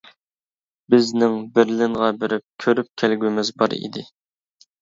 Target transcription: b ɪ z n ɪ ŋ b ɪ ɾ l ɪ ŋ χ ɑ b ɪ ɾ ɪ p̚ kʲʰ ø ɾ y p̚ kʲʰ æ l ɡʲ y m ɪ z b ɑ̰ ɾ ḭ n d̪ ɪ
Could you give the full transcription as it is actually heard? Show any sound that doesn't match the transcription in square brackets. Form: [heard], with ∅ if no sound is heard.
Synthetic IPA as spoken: b ɪ z n ɪ ŋ b ɪ ɾ l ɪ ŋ [ʁ] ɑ b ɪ ɾ ɪ p̚ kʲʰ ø ɾ y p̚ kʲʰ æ l ɡʲ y m ɪ z b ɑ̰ ɾ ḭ [∅] d̪ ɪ